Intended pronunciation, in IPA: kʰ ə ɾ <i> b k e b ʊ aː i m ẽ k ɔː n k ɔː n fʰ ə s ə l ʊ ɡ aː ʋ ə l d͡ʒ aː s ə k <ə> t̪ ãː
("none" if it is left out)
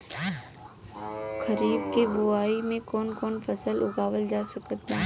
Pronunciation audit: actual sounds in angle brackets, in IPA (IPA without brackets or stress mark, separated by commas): iː, ə